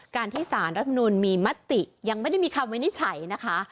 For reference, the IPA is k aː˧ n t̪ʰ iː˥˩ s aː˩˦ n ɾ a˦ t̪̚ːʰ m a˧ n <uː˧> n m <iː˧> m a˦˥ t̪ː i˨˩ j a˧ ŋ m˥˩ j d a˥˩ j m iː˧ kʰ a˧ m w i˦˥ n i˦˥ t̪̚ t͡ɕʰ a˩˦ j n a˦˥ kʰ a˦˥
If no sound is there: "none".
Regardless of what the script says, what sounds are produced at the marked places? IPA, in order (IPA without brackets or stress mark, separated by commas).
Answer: uː˧, iː˧